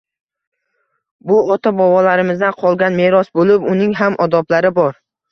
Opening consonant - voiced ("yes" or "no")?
yes